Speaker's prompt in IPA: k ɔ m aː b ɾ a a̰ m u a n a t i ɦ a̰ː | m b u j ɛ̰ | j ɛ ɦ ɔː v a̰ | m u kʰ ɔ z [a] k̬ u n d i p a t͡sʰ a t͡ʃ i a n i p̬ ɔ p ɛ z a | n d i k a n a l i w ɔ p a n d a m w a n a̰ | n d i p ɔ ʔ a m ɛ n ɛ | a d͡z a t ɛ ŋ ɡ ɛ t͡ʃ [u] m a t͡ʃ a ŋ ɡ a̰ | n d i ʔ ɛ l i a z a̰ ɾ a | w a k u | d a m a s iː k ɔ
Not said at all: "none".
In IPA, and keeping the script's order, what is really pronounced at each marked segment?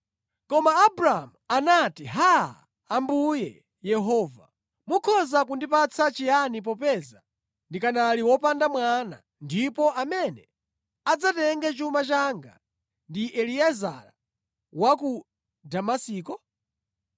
a, u

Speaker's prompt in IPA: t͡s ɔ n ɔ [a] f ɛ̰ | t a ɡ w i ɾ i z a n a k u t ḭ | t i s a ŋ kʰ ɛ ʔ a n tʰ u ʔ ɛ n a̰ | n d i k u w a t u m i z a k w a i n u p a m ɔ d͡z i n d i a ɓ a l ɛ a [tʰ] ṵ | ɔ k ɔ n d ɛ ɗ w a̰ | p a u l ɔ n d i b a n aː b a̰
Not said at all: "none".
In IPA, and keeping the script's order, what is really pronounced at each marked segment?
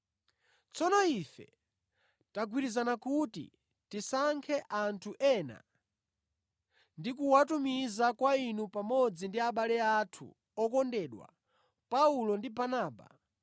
i, tʰ

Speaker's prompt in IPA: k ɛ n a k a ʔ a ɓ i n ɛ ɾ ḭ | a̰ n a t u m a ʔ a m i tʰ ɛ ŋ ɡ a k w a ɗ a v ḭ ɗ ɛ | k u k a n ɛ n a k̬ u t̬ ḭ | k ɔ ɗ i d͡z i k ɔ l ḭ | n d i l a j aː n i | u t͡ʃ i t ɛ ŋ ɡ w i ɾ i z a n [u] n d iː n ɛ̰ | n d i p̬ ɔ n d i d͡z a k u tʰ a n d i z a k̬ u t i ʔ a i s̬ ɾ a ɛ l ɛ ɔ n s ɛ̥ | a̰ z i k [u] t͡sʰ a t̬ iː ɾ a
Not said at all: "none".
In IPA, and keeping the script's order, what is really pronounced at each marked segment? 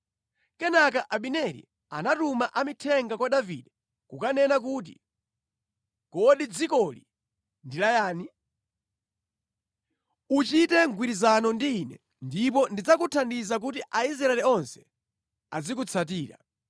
ɔ, u

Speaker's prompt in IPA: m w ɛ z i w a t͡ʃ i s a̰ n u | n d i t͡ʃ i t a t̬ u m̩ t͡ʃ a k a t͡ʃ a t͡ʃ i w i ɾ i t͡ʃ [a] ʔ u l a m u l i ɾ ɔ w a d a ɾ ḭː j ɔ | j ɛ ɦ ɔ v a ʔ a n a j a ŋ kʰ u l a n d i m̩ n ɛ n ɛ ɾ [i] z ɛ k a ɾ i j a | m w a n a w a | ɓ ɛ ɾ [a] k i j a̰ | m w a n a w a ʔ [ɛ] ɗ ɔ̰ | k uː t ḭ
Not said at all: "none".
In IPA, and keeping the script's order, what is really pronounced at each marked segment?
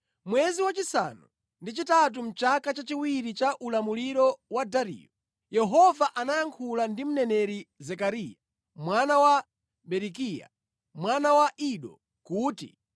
a, i, i, i

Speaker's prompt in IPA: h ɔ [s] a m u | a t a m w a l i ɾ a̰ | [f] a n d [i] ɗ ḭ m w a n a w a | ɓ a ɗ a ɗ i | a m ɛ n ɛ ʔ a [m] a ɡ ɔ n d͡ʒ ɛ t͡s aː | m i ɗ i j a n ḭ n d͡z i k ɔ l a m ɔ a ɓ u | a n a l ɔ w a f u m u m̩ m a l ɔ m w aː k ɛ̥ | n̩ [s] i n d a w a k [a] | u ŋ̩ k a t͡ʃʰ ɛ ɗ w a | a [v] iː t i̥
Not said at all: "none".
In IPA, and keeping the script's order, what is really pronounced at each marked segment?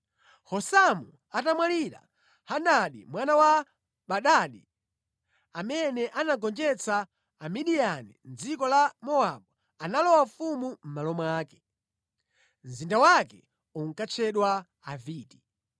s, h, a, n, z, ɛ, v

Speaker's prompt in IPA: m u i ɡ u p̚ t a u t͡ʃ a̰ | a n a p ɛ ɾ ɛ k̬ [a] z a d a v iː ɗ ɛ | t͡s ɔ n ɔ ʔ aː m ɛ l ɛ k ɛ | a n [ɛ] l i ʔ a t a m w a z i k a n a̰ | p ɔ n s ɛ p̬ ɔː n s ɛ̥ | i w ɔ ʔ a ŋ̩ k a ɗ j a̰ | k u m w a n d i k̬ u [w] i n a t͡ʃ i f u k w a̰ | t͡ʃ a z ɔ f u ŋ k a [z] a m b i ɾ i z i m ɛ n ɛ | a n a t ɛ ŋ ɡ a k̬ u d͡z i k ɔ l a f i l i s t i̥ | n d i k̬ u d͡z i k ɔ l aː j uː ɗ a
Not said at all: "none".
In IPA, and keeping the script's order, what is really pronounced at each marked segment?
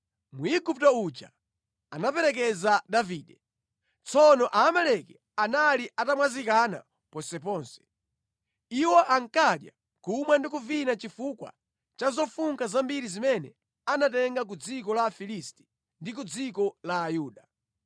ɛ, a, v, z

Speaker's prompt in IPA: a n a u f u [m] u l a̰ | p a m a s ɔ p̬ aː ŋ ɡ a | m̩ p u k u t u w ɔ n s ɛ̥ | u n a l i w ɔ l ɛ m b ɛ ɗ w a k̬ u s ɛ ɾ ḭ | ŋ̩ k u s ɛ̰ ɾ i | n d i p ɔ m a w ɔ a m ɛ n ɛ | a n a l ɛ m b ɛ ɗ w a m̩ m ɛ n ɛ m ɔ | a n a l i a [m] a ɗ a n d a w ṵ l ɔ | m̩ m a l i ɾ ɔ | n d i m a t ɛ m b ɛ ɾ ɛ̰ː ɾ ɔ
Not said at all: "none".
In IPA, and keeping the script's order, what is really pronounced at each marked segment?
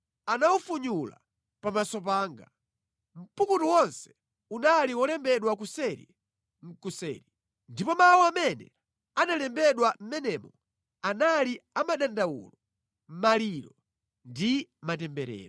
ɲ, m

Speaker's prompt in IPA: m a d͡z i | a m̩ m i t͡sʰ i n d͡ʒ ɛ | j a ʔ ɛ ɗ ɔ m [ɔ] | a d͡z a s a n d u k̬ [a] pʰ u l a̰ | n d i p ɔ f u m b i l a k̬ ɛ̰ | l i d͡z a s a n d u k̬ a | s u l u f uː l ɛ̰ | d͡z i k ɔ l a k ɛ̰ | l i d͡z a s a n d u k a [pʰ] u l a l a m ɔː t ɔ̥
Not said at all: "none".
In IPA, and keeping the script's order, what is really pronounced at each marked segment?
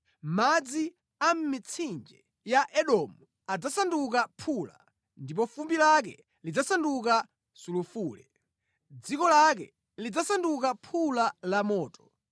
u, a, pʰ

